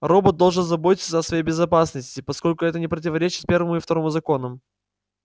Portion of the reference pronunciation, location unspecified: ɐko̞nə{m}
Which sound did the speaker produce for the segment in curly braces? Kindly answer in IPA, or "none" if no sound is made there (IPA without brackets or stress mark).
m